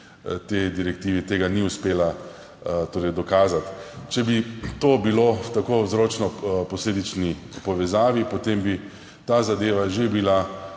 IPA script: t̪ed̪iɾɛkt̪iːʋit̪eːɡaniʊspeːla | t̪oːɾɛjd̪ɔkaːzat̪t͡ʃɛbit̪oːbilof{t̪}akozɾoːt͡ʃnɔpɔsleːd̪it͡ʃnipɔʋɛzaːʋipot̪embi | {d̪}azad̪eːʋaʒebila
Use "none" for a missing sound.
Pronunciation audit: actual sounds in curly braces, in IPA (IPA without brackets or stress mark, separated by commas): t̪, t̪